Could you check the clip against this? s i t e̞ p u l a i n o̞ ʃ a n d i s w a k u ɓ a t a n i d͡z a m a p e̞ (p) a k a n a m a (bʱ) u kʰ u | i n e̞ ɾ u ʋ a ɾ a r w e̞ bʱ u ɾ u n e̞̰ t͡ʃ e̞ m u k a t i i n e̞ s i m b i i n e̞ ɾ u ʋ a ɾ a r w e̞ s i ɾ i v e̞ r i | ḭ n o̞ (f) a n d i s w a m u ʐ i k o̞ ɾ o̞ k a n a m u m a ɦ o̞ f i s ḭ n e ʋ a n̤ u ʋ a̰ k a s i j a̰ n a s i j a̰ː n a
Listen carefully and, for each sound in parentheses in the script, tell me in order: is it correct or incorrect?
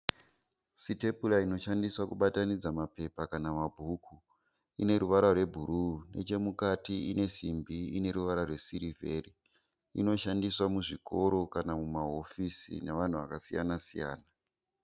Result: correct, correct, incorrect

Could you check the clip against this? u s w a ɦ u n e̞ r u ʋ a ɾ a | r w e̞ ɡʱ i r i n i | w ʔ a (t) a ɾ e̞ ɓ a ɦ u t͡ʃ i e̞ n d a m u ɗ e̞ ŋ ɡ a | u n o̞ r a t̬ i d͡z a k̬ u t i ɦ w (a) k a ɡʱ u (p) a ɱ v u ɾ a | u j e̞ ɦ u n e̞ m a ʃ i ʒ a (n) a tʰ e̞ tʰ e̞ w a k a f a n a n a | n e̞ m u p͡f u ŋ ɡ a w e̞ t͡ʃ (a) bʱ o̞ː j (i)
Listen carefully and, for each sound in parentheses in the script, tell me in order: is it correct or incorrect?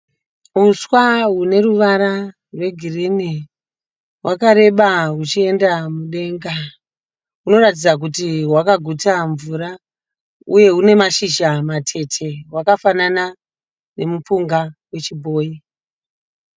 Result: incorrect, correct, incorrect, incorrect, incorrect, correct

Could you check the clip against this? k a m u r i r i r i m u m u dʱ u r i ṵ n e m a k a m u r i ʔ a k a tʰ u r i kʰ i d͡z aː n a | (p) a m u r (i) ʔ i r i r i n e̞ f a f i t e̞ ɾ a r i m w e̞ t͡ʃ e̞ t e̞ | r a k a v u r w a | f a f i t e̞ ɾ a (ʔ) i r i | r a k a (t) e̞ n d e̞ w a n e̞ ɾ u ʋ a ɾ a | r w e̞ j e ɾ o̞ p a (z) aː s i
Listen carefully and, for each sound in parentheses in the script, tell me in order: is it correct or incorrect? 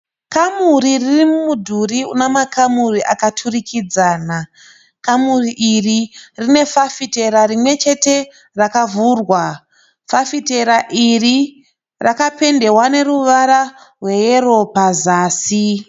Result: incorrect, correct, correct, incorrect, correct

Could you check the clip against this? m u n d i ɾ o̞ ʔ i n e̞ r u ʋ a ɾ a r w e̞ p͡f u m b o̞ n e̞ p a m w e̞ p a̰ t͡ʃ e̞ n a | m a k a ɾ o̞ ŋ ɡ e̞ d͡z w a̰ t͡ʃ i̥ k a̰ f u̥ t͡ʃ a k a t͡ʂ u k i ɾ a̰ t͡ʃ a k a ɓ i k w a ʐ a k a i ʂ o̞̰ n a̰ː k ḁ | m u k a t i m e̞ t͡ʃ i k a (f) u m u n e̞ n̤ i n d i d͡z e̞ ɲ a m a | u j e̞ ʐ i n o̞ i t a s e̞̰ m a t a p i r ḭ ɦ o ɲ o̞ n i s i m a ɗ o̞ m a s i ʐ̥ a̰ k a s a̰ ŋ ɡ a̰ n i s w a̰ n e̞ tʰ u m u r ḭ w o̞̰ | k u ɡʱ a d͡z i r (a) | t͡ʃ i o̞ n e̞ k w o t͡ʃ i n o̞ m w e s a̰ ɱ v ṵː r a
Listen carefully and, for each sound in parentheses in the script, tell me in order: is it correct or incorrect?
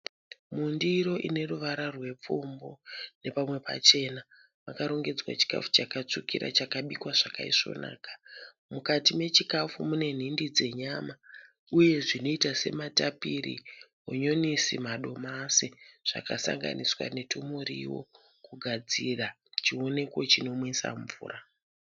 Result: correct, correct

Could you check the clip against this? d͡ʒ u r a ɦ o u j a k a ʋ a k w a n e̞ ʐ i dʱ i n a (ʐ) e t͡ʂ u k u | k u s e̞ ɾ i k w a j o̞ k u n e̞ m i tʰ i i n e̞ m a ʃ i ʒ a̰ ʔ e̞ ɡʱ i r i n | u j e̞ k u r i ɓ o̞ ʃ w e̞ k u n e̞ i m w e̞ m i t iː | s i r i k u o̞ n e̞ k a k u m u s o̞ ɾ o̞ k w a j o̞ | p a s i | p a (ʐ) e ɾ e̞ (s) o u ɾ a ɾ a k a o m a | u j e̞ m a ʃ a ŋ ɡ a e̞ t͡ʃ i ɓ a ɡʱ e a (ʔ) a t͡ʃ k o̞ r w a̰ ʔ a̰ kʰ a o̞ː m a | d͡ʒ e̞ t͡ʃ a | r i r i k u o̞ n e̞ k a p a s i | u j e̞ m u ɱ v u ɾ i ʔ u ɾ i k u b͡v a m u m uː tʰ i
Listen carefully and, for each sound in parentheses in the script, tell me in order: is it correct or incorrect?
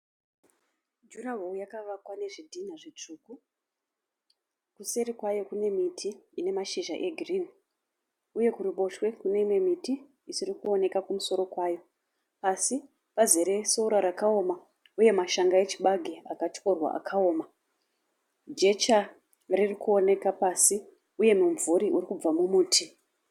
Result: correct, incorrect, correct, incorrect

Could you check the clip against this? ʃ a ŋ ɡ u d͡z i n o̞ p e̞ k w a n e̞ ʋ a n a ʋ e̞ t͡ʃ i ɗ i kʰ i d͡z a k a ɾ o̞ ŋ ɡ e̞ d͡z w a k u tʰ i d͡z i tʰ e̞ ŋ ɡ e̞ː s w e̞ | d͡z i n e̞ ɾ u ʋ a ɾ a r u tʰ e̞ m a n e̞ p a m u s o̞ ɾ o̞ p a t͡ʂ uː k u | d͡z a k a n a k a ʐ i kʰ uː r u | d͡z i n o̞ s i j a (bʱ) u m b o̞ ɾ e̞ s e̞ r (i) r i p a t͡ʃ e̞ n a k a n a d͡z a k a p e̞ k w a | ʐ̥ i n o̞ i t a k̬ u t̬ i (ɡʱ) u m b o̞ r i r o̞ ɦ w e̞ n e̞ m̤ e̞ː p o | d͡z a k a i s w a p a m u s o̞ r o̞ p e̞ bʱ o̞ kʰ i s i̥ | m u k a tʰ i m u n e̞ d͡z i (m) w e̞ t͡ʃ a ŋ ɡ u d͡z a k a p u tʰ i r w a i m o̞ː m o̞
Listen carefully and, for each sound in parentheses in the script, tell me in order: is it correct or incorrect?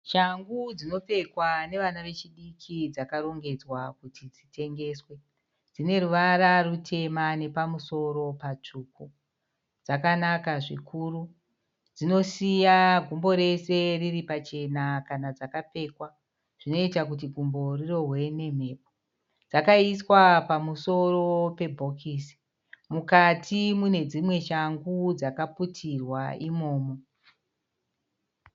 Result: incorrect, correct, correct, correct

